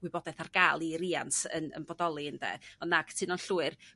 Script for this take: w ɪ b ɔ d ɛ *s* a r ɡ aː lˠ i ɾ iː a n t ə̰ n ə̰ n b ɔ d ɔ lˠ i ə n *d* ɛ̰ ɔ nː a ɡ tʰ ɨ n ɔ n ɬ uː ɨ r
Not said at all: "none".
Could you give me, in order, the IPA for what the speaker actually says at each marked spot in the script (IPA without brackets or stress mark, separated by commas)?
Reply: θ, d